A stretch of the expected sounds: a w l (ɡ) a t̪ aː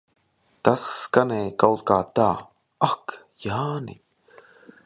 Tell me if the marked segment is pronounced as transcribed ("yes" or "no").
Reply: no